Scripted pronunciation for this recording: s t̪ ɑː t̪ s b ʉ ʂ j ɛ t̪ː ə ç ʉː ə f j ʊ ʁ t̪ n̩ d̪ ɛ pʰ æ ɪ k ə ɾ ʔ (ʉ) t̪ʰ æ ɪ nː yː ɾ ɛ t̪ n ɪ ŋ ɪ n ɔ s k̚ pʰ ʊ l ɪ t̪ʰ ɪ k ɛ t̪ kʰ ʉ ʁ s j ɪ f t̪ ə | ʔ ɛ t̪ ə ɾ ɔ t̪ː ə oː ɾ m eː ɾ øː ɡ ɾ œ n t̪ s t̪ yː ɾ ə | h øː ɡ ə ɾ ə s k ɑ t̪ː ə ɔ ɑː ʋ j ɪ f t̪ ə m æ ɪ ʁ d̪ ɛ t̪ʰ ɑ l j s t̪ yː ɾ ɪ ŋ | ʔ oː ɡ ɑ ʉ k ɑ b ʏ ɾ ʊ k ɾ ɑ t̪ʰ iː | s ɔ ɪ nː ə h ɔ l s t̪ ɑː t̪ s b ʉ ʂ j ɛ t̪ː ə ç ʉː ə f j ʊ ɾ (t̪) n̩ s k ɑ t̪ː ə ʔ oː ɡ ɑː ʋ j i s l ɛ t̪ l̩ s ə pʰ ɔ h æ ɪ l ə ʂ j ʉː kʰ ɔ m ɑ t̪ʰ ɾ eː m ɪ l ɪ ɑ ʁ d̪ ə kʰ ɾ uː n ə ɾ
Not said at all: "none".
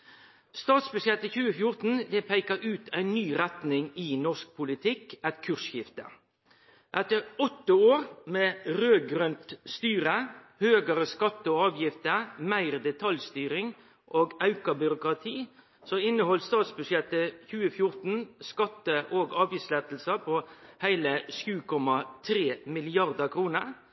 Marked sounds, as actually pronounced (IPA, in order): ʉː, t̪

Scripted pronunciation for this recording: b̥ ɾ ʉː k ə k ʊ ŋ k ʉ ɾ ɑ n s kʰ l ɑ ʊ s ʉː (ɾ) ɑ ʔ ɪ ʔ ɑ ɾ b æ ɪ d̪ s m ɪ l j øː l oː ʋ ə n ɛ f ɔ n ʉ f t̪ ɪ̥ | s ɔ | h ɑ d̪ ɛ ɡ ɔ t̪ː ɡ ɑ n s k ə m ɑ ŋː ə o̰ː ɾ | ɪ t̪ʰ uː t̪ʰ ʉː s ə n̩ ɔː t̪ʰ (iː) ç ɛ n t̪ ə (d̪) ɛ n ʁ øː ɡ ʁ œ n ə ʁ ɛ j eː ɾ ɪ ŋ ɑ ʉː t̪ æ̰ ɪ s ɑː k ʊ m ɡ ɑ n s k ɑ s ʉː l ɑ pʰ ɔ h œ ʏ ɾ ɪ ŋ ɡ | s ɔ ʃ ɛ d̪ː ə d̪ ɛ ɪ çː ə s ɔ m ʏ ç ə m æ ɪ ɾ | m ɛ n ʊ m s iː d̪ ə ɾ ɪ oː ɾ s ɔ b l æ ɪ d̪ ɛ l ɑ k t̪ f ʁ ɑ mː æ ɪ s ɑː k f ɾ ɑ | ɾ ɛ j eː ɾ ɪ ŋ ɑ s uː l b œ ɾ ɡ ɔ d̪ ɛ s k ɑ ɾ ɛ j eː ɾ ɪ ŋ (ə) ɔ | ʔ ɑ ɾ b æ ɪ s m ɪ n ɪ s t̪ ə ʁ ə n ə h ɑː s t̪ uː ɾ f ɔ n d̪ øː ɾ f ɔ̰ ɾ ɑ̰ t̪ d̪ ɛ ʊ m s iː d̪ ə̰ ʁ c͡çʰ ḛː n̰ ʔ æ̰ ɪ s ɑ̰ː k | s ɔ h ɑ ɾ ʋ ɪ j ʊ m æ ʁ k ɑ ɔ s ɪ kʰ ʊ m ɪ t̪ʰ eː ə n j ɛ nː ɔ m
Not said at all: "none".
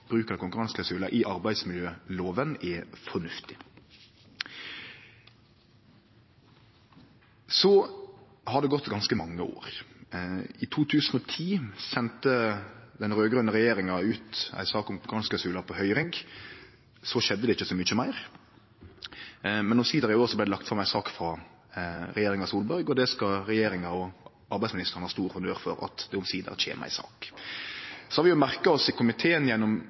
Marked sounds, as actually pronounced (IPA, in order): l, iː, d̪, ɑ

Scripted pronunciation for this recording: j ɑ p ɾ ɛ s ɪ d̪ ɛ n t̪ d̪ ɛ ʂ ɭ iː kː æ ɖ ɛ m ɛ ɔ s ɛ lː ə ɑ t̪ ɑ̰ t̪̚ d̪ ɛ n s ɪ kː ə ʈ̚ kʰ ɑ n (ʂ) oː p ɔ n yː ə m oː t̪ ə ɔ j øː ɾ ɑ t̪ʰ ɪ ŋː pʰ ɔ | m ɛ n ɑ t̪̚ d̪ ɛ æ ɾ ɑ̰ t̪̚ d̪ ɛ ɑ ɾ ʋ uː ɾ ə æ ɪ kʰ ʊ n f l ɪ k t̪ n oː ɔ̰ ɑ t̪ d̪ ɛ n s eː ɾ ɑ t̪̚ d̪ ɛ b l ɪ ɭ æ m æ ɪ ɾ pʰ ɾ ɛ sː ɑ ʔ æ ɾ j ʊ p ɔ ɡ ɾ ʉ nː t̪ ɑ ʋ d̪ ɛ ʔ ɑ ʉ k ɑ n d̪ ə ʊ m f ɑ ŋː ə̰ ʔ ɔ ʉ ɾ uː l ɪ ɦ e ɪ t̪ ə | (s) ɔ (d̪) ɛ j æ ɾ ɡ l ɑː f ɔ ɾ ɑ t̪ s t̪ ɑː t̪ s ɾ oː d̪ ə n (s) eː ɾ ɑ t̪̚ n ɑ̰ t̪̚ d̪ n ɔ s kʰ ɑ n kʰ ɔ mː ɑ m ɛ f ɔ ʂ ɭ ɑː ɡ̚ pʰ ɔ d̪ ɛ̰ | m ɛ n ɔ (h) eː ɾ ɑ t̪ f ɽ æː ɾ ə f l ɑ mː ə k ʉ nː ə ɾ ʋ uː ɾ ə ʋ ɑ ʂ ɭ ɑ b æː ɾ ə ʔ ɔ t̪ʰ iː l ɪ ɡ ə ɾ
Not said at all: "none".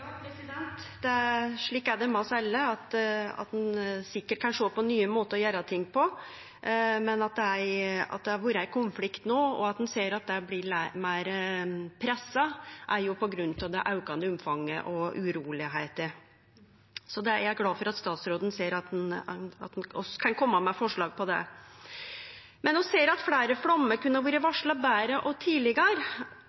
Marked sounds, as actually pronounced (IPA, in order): ʂ, s, d̪, s, s

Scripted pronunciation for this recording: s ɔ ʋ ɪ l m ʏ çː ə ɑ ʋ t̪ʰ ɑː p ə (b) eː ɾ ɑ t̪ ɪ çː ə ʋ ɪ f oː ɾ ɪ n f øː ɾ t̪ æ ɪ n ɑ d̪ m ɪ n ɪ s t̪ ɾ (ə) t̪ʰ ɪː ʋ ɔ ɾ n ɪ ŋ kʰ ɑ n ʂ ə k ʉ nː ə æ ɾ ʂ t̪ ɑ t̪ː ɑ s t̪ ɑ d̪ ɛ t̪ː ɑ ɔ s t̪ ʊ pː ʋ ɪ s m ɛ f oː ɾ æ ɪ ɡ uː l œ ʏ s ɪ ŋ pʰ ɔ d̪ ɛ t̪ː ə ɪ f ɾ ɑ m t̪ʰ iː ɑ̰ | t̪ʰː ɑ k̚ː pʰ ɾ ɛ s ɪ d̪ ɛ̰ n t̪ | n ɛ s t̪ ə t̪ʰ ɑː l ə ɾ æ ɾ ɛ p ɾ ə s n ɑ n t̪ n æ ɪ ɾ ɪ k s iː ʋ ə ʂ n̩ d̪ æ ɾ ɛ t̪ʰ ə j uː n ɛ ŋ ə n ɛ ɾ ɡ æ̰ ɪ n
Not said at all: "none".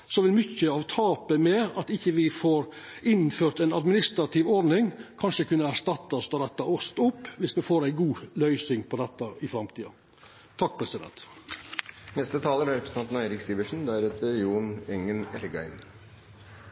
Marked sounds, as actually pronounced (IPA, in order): m, ɑ

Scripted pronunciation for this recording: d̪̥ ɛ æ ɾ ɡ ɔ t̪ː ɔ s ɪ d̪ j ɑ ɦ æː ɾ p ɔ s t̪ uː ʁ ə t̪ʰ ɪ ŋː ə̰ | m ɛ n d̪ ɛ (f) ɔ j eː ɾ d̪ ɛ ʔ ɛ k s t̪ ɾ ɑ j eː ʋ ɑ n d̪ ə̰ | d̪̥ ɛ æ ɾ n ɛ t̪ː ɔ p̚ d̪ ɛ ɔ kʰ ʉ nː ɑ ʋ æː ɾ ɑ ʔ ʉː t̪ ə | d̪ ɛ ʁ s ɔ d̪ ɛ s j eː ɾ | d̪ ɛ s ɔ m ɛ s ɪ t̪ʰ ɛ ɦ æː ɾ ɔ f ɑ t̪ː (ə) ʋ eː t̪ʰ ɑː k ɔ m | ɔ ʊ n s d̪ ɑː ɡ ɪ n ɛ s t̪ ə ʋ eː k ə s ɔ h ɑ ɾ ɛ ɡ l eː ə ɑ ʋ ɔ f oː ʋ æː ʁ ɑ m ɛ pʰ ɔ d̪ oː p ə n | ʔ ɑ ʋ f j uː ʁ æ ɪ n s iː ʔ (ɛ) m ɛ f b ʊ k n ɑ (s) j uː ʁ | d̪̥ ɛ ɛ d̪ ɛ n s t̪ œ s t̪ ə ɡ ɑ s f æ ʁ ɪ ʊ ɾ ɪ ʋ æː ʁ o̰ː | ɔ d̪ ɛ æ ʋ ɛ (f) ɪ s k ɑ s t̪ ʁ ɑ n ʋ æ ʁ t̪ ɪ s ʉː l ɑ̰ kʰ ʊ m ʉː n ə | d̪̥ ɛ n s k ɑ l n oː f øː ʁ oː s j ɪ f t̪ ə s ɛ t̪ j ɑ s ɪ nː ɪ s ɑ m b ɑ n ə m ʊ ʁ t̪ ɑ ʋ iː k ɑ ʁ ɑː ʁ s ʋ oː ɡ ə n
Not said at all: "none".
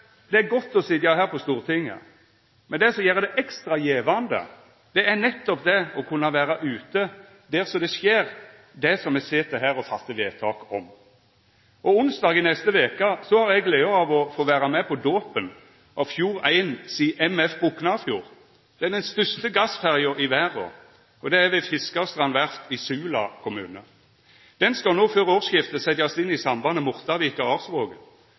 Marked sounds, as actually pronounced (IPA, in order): s, ə, ɛ, f, f

